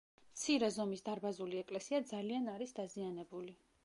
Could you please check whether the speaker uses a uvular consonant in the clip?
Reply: no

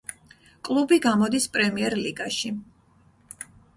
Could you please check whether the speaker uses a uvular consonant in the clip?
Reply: no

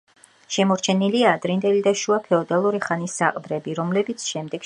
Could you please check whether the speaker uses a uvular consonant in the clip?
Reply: yes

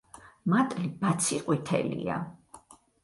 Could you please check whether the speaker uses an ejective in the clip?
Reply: yes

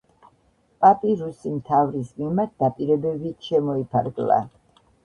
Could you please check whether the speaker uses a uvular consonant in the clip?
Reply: no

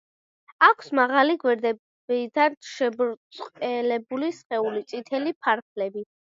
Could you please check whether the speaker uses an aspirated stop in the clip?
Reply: yes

